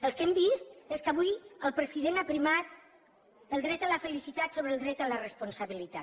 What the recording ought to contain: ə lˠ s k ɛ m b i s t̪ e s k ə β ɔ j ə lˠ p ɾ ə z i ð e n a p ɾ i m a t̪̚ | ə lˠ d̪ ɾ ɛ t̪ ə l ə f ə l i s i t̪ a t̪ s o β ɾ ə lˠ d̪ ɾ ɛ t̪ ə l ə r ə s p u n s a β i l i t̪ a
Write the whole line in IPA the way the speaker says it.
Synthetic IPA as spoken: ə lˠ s k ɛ m b i s t̪ e s k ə β u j ə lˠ p ɾ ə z i ð e n a p ɾ i m a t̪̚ | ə lˠ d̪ ɾ ɛ t̪ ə l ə f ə l i s i t̪ a t̪ s o β ɾ ə lˠ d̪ ɾ ɛ t̪ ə l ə r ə s p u n s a β i l i t̪ a